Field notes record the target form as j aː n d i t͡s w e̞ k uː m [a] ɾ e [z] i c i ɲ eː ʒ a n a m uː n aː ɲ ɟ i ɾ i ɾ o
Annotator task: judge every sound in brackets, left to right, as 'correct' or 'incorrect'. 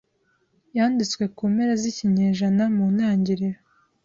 incorrect: e, correct

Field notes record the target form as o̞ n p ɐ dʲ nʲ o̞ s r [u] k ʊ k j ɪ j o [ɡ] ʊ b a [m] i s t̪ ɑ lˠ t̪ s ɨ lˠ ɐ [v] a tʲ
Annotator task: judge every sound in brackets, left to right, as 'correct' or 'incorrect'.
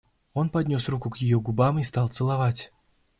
correct, correct, correct, correct

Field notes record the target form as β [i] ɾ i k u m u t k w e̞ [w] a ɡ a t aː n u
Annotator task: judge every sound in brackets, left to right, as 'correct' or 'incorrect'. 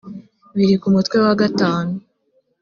correct, correct

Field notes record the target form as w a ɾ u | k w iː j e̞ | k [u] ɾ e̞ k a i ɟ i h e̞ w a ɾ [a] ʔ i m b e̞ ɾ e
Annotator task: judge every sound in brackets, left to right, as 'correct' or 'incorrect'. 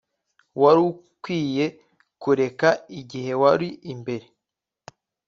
correct, incorrect: i

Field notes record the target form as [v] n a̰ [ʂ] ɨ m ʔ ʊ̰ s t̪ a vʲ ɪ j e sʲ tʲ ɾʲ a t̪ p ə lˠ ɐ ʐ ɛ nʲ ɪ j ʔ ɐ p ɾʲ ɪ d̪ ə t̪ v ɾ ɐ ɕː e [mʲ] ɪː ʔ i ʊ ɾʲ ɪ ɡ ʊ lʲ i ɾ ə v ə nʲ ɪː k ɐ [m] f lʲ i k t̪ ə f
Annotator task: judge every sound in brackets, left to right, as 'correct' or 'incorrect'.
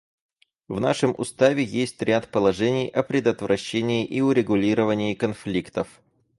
correct, correct, incorrect: nʲ, incorrect: n

